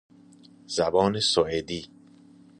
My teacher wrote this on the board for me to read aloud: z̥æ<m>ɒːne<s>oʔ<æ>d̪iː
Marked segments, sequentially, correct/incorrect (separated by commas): incorrect, correct, incorrect